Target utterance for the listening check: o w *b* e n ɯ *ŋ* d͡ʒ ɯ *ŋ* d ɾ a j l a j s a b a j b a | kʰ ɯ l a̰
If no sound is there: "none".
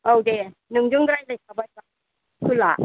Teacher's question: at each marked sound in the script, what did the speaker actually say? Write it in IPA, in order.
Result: d, ŋ, ŋ

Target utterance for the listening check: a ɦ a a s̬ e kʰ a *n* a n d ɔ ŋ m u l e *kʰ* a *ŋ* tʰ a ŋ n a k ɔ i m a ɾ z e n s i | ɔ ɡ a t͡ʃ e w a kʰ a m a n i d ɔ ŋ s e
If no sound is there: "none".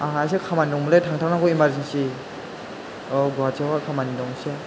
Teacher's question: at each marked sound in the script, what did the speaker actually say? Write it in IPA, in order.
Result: m, tʰ, ŋ

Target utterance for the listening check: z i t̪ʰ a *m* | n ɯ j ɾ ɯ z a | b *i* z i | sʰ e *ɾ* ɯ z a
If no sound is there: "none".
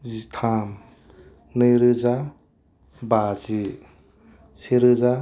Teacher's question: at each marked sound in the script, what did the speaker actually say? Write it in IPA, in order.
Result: m, a, ɾ

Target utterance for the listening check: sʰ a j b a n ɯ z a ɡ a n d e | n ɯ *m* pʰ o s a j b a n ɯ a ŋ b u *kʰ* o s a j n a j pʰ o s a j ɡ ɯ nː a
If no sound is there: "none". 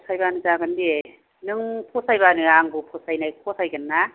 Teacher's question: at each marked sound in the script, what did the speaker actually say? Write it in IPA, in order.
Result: ŋ, pʰ

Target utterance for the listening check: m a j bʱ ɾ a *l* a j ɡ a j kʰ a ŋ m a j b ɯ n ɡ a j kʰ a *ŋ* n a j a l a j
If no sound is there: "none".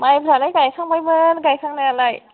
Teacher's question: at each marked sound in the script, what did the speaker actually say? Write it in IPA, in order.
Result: l, ŋ

